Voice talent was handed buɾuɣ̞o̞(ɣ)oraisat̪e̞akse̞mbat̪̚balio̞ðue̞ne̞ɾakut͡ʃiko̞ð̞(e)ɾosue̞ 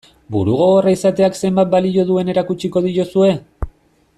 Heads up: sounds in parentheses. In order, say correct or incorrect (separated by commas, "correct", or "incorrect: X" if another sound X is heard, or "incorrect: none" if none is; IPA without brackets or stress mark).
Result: correct, incorrect: i